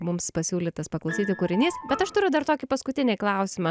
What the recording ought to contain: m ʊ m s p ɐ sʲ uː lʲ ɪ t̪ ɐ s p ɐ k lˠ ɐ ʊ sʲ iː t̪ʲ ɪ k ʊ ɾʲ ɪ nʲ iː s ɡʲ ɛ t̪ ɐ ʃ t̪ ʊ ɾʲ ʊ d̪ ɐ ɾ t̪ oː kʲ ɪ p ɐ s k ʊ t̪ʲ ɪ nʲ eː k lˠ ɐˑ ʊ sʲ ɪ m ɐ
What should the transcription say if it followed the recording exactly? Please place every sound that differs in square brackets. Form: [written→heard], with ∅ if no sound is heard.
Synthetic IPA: m ʊ m s p ɐ sʲ uː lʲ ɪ t̪ ɐ s p ɐ k lˠ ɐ ʊ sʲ iː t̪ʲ ɪ k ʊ ɾʲ ɪ nʲ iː s [ɡʲ→bʲ] ɛ t̪ ɐ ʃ t̪ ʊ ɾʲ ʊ d̪ ɐ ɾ t̪ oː kʲ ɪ p ɐ s k ʊ t̪ʲ ɪ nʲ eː k lˠ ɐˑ ʊ sʲ ɪ m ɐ